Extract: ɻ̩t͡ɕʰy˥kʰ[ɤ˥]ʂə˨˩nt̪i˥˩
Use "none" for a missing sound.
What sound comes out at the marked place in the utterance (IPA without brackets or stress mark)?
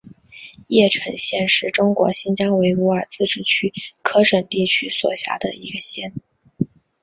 ɤ˥